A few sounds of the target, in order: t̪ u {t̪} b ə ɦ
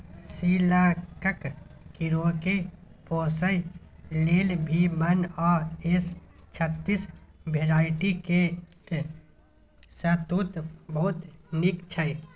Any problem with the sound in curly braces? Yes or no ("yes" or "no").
no